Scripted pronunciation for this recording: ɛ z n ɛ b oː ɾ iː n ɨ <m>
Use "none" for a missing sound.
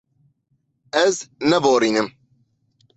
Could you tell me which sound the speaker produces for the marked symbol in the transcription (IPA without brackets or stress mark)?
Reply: m